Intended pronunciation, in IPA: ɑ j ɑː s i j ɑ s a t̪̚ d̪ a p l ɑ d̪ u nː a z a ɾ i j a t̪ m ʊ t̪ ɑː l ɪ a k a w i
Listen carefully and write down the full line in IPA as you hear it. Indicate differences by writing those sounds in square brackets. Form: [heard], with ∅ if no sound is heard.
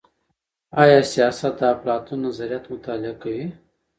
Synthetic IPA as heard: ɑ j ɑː s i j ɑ s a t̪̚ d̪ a p l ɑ [t̪] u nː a z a ɾ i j a t̪ m ʊ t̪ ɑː l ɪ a k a w i